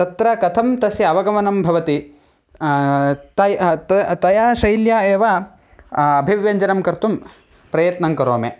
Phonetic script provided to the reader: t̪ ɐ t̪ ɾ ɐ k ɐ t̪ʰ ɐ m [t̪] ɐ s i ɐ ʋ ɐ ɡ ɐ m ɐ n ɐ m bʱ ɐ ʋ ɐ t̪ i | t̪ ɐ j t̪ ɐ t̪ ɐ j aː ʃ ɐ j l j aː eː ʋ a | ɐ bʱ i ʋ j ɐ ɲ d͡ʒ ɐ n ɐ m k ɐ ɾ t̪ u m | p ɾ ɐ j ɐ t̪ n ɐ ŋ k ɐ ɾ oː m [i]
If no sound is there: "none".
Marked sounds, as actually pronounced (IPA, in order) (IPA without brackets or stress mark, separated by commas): t̪, e